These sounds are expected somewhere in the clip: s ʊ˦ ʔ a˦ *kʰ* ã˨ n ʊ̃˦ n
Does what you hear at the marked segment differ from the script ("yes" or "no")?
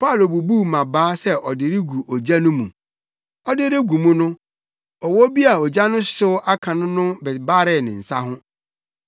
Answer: no